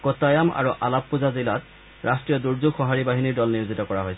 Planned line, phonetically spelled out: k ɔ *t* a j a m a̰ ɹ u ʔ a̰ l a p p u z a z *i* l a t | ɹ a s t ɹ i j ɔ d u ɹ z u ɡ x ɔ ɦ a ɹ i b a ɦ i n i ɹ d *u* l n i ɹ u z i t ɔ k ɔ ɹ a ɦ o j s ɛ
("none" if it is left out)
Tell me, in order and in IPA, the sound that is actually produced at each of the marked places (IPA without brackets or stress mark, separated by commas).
t, i, ɔ